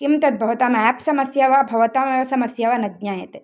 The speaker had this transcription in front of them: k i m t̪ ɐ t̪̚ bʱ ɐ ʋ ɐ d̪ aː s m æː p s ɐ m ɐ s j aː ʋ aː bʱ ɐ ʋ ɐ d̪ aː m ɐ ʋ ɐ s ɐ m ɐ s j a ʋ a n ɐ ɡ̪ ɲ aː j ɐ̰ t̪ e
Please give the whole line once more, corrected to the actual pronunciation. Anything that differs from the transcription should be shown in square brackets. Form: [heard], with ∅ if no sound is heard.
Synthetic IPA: k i m t̪ ɐ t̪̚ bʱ ɐ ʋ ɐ [t̪] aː [∅] m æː p s ɐ m ɐ s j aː ʋ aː bʱ ɐ ʋ ɐ [t̪] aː m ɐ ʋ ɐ s ɐ m ɐ s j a ʋ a n ɐ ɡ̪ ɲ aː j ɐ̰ t̪ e

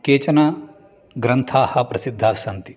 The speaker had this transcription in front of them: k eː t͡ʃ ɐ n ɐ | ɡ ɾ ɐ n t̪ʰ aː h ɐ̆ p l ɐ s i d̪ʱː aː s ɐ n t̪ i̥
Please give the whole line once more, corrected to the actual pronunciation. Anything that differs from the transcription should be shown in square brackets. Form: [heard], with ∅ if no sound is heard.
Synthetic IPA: k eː t͡ʃ ɐ n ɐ | ɡ ɾ ɐ n t̪ʰ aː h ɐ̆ p [ɾ] ɐ s i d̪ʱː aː s ɐ n t̪ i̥

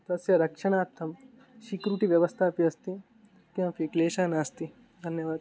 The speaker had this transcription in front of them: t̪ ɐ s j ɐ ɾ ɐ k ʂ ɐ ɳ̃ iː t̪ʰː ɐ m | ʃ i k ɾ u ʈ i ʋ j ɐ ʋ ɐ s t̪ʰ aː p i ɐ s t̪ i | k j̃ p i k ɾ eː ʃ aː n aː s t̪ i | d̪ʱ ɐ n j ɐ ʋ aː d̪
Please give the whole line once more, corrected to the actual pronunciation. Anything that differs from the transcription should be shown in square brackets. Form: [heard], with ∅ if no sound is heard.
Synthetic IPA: t̪ ɐ s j ɐ ɾ ɐ k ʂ ɐ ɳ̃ [aː] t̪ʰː ɐ m | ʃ i k ɾ u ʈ i ʋ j ɐ ʋ ɐ s t̪ʰ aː p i ɐ s t̪ i | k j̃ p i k [l] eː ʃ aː n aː s t̪ i | d̪ʱ ɐ n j ɐ ʋ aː d̪

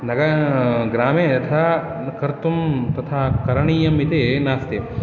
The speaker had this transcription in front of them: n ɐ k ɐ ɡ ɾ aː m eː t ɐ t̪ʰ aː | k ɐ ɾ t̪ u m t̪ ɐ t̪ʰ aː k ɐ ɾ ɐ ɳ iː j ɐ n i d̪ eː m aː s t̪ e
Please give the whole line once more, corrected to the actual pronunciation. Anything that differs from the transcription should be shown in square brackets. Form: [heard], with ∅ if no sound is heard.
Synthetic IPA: n ɐ [ɡ] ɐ ɡ ɾ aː m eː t ɐ t̪ʰ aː | k ɐ ɾ t̪ u m t̪ ɐ t̪ʰ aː k ɐ ɾ ɐ ɳ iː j ɐ [m] i [t̪] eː [n] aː s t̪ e

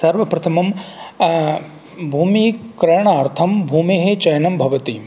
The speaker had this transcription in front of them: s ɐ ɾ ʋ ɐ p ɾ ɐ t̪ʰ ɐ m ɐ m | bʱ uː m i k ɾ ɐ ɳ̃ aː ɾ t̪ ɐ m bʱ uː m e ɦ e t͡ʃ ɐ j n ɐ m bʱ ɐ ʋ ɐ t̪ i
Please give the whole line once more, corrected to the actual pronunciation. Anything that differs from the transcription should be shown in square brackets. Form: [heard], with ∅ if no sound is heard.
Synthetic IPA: s ɐ ɾ ʋ ɐ p ɾ ɐ t̪ʰ ɐ m ɐ m | bʱ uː m i k ɾ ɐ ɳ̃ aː ɾ [t̪ʰ] ɐ m bʱ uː m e ɦ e t͡ʃ ɐ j n ɐ m bʱ ɐ ʋ ɐ t̪ i

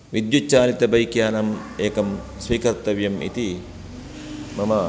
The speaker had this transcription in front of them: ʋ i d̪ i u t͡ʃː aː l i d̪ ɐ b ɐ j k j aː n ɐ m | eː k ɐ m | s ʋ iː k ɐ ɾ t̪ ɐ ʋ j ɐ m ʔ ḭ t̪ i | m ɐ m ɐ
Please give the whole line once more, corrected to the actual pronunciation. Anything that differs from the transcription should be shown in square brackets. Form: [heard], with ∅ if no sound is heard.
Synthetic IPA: ʋ i d̪ [j] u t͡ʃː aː l i [t̪] ɐ b ɐ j k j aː n ɐ m | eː k ɐ m | s ʋ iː k ɐ ɾ t̪ ɐ ʋ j ɐ m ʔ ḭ t̪ i | m ɐ m ɐ

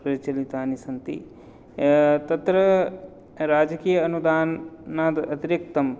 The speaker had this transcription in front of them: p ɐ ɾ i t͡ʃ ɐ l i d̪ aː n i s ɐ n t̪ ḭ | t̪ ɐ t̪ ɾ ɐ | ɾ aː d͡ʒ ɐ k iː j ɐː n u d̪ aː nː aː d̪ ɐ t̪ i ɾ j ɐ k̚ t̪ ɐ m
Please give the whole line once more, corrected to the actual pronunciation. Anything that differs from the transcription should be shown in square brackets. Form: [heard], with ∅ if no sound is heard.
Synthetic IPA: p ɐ ɾ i t͡ʃ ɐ l i [t̪] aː n i s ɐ n t̪ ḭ | t̪ ɐ t̪ ɾ ɐ | ɾ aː d͡ʒ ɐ k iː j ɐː n u d̪ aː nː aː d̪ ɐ t̪ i ɾ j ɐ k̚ t̪ ɐ m

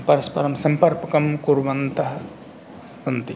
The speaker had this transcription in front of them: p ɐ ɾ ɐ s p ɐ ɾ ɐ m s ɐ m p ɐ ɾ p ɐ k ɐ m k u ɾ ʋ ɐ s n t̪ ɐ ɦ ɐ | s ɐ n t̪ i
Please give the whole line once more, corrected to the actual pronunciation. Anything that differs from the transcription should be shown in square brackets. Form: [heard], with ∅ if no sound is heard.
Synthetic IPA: p ɐ ɾ ɐ s p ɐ ɾ ɐ m s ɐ m p ɐ ɾ p ɐ k ɐ m k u ɾ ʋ ɐ [∅] n t̪ ɐ ɦ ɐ | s ɐ n t̪ i

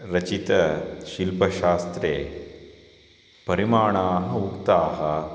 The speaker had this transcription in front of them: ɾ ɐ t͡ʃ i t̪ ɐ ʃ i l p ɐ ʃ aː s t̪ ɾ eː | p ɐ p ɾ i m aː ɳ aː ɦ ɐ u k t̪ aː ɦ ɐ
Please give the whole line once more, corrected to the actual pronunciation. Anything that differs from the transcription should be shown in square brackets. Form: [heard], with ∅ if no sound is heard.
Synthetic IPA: ɾ ɐ t͡ʃ i t̪ ɐ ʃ i l p ɐ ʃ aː s t̪ ɾ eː | p ɐ [∅] ɾ i m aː ɳ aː ɦ ɐ u k t̪ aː ɦ ɐ

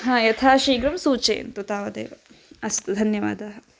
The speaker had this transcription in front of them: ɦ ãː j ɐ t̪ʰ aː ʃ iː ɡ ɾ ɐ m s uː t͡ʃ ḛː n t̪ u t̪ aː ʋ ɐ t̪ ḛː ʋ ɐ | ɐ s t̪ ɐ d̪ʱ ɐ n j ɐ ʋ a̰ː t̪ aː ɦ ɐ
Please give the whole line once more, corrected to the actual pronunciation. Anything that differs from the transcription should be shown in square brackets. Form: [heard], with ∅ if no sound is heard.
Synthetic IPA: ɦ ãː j ɐ t̪ʰ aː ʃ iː ɡ ɾ ɐ m s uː t͡ʃ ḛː n t̪ u t̪ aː ʋ ɐ [d̪] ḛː ʋ ɐ | ɐ s t̪ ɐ d̪ʱ ɐ n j ɐ ʋ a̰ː [d̪] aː ɦ ɐ

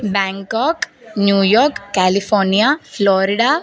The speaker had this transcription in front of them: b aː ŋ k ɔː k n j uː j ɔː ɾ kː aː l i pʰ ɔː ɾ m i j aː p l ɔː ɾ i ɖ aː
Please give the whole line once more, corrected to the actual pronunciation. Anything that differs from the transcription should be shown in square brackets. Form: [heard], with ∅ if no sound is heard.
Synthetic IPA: b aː ŋ k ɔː k n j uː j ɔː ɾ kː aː l i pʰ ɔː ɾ [n] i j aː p l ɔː ɾ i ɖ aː

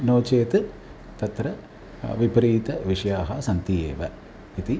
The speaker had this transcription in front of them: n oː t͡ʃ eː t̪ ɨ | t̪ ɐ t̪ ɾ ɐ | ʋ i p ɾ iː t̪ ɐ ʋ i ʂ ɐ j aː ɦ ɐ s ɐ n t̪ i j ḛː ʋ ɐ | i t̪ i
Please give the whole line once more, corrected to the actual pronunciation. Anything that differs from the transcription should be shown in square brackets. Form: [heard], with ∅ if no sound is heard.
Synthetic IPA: n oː t͡ʃ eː t̪ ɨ | t̪ ɐ t̪ ɾ ɐ | ʋ i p ɾ iː t̪ ɐ ʋ i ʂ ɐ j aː ɦ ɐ s ɐ n t̪ i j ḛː ʋ ɐ | i t̪ i

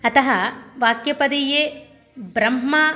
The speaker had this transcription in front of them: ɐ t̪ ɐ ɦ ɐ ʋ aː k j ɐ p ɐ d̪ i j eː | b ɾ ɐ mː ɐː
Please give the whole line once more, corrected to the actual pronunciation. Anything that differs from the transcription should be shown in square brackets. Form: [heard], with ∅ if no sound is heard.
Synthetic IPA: ɐ t̪ ɐ ɦ ɐ ʋ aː k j ɐ p ɐ d̪ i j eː | b ɾ ɐ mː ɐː

